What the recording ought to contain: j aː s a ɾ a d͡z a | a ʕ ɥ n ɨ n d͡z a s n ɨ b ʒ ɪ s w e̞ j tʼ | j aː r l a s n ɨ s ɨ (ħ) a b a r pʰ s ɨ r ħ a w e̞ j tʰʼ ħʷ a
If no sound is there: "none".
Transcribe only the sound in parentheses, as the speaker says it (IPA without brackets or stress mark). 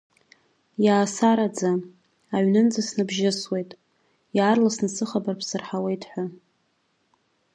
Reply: χ